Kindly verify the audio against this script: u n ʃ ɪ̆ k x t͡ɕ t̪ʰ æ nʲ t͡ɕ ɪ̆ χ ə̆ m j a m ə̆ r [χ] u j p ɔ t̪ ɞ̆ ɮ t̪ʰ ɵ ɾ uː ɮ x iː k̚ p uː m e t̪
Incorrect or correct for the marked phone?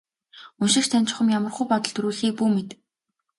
correct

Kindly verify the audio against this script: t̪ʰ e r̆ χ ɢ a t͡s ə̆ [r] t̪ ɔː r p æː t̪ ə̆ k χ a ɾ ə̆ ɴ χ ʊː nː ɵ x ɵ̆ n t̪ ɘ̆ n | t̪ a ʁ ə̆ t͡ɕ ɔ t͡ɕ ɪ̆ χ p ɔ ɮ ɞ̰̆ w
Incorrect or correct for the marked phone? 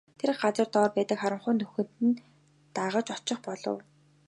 correct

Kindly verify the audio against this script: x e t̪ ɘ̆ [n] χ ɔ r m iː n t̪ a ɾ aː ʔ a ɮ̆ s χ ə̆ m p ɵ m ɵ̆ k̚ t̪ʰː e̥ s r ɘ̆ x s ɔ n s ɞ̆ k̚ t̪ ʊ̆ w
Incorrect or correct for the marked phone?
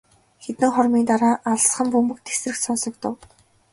incorrect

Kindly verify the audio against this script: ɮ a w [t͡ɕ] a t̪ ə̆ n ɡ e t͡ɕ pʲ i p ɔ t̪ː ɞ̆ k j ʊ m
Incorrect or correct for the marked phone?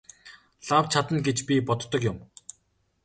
incorrect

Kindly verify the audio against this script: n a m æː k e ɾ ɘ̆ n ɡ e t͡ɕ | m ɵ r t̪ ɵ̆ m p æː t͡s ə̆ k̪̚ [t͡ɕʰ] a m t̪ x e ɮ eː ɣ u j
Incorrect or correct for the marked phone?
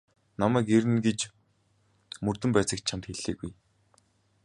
correct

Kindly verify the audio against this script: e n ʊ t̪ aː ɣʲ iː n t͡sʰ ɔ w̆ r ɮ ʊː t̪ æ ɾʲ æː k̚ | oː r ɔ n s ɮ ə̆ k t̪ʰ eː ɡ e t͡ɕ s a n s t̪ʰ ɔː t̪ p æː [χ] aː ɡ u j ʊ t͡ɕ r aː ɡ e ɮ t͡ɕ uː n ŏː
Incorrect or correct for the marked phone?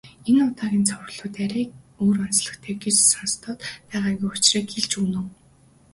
incorrect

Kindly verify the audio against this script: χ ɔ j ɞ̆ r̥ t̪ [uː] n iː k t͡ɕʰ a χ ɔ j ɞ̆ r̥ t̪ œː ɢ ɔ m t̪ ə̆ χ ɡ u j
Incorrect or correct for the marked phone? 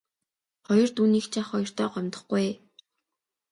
correct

